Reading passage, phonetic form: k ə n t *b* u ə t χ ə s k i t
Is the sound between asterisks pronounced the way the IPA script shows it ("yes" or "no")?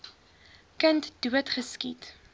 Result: no